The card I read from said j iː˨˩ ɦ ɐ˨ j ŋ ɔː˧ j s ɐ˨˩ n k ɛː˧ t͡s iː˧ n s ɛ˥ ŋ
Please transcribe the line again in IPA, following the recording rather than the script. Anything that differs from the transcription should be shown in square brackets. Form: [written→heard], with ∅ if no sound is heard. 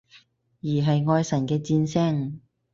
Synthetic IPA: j iː˨˩ ɦ ɐ˨ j ŋ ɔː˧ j s ɐ˨˩ n k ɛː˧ t͡s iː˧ n s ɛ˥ ŋ